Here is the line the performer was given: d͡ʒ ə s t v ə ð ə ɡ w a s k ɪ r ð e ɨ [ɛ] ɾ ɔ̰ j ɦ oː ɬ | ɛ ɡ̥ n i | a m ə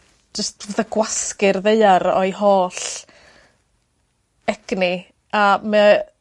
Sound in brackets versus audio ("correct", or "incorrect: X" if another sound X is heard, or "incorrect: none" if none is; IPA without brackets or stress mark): incorrect: a